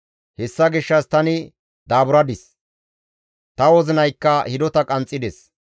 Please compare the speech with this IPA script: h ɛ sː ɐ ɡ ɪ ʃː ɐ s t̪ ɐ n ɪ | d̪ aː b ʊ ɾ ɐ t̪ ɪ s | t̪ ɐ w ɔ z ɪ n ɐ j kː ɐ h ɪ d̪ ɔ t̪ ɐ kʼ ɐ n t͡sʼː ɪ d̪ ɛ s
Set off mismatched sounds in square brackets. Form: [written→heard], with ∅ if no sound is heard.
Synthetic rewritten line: h ɛ sː ɐ ɡ ɪ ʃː ɐ s t̪ ɐ n ɪ | d̪ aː b ʊ ɾ ɐ [t̪→d̪] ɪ s | t̪ ɐ w ɔ z ɪ n ɐ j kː ɐ h ɪ d̪ ɔ t̪ ɐ kʼ ɐ n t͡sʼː ɪ d̪ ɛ s